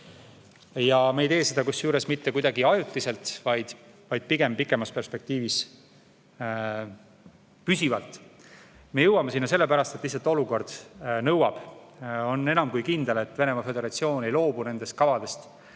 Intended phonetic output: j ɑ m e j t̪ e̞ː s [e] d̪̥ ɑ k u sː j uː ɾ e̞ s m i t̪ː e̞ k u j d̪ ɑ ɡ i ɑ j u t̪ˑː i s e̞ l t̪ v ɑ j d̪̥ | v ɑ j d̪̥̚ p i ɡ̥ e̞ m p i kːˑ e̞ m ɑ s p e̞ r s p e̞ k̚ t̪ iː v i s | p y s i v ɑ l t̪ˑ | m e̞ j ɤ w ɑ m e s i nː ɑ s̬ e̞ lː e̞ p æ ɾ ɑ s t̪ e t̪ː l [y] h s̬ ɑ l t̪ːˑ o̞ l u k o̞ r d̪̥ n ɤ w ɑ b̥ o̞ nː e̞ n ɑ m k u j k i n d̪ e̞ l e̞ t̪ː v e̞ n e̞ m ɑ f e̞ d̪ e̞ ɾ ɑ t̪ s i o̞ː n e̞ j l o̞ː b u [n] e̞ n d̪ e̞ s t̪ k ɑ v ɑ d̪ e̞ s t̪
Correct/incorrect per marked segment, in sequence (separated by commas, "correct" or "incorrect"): correct, incorrect, correct